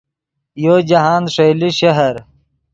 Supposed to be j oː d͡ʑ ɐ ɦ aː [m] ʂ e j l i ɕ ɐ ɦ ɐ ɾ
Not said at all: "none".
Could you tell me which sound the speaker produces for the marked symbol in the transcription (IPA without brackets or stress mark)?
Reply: n